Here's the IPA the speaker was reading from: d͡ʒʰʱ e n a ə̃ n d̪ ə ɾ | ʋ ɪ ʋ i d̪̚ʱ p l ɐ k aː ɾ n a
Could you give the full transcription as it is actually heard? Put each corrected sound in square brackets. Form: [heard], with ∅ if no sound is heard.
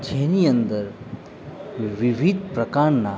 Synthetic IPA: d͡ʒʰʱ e n [i] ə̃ n d̪ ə ɾ | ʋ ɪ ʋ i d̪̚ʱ p [ɾ] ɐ k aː ɾ n a